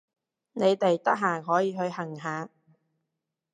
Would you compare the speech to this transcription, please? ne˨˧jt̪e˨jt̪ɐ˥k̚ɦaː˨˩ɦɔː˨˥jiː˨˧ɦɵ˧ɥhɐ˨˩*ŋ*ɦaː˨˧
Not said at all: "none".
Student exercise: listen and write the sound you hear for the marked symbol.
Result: ŋ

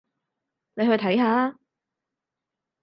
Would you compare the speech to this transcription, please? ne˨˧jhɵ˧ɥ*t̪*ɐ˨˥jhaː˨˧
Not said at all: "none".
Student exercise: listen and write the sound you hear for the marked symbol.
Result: t̪ʰ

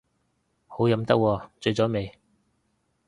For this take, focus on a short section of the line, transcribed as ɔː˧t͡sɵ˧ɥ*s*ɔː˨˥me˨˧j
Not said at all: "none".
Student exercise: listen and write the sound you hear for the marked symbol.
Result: t͡s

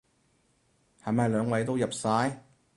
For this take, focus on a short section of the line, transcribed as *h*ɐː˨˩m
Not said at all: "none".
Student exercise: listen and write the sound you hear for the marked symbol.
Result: h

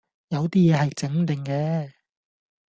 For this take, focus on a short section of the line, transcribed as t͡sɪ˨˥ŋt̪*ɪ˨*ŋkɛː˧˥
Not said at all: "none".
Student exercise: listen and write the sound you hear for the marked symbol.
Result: ɪ˨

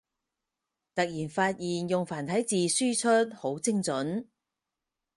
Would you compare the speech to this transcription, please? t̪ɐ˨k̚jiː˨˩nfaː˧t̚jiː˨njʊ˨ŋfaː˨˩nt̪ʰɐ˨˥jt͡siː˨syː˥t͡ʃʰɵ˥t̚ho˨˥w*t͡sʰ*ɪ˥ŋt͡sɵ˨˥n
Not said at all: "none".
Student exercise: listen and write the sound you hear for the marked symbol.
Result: t͡s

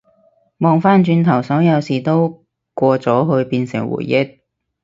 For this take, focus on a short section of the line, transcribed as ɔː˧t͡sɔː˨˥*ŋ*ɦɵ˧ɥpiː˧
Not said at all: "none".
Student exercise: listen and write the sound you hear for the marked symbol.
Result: none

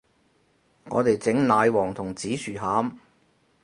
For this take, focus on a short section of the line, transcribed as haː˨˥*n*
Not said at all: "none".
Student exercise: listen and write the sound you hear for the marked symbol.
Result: m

